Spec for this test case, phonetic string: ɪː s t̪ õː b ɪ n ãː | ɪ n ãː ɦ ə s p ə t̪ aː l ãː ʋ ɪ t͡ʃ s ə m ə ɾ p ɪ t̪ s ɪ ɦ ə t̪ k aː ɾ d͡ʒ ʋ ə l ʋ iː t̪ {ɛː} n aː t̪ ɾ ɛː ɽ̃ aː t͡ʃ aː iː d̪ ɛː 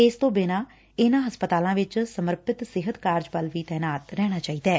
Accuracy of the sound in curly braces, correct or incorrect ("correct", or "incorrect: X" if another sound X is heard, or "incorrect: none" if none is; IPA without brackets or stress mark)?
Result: correct